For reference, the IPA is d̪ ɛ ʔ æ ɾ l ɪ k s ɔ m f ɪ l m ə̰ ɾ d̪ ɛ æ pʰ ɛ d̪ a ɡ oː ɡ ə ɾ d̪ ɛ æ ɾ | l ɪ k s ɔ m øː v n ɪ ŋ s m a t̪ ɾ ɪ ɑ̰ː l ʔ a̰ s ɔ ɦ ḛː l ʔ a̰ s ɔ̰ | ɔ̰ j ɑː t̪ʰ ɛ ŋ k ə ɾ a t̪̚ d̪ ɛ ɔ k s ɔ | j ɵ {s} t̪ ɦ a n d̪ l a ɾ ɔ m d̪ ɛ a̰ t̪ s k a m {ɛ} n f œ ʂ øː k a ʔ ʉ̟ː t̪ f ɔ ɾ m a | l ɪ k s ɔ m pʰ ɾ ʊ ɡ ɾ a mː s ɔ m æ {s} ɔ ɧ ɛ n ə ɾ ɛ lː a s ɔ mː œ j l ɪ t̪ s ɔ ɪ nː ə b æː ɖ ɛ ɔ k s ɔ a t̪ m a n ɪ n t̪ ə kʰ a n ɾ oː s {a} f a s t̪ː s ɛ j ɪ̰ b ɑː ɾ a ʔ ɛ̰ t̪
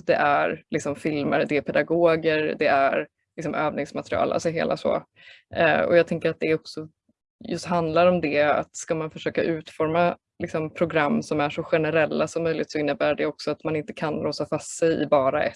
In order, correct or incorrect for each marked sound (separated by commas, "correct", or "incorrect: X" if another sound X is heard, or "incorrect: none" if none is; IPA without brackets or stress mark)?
correct, incorrect: a, incorrect: ʂ, correct